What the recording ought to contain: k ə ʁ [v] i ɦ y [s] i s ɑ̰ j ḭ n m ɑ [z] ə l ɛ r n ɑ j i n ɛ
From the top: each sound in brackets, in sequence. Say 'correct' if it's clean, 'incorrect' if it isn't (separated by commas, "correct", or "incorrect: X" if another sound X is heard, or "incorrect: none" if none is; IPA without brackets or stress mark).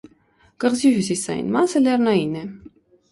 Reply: incorrect: z, correct, incorrect: s